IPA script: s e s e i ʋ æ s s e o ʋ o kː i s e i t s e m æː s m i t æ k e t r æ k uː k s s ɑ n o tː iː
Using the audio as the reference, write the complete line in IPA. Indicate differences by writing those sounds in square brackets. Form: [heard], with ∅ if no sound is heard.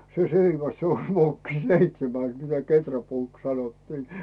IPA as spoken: s e s e i ʋ æ s s e o ʋ o kː i s e i t s e m [æ] s m i t æ k e t r æ [p] uː k s s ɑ n o tː iː